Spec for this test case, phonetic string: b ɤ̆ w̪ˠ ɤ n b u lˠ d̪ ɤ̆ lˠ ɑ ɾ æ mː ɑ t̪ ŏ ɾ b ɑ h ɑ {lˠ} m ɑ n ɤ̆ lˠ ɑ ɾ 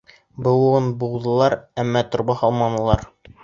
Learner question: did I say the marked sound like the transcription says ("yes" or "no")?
yes